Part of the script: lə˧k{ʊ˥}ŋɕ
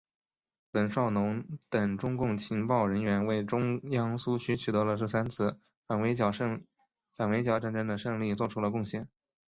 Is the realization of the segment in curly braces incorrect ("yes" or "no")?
yes